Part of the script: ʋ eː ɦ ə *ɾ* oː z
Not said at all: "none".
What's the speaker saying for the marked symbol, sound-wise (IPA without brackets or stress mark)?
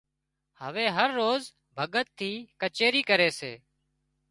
ɾː